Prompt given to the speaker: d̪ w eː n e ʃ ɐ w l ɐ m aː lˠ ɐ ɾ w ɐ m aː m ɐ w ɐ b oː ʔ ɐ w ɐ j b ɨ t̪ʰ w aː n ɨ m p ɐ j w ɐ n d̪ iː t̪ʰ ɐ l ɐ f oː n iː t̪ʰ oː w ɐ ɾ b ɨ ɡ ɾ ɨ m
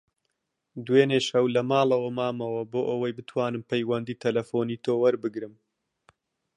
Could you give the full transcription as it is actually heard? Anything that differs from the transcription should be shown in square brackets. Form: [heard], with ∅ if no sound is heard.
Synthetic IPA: d̪ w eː n e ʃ ɐ w l ɐ m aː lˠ ɐ [∅] w ɐ m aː m ɐ w ɐ b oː ʔ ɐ w ɐ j b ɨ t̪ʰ w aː n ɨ m p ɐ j w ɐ n d̪ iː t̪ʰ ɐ l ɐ f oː n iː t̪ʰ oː w ɐ ɾ b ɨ ɡ ɾ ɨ m